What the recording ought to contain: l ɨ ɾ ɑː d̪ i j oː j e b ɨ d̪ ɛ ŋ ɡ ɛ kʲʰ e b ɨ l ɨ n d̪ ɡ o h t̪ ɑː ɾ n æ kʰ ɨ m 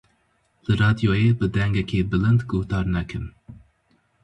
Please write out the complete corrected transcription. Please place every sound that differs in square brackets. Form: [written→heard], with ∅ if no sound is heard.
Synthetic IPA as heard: l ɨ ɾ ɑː d̪ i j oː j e b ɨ d̪ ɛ ŋ ɡ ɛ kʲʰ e b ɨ l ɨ n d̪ ɡ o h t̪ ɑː ɾ n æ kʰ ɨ m